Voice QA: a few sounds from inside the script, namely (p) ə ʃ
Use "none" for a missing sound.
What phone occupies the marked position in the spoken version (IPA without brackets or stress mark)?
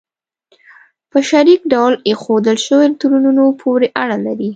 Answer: p